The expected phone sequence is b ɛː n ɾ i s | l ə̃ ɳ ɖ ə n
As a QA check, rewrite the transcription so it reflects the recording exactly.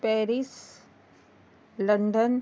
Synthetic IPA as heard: p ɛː ɾ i s | l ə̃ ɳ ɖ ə n